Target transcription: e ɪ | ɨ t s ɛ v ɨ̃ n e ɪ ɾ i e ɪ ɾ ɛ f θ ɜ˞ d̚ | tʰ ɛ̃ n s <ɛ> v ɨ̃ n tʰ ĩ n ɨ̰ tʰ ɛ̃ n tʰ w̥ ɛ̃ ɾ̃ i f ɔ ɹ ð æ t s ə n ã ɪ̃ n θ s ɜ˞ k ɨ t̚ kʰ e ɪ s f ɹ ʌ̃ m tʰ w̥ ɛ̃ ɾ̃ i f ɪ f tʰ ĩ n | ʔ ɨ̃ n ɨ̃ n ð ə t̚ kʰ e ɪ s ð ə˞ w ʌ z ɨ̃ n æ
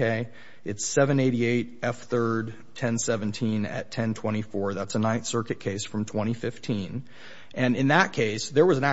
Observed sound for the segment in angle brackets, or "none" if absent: ɛ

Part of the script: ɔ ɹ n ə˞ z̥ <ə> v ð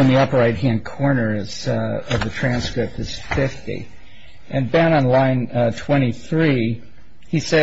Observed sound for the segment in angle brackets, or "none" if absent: ʌ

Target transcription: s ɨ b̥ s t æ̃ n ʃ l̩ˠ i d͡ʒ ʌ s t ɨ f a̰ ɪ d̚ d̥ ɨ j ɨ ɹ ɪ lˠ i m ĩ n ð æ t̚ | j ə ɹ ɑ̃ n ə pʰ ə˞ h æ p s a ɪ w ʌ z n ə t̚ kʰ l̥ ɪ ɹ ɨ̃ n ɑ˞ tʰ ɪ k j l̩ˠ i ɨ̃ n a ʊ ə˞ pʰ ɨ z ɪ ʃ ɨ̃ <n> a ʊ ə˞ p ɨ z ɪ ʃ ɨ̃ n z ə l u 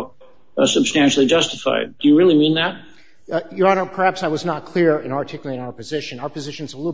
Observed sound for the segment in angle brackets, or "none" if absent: n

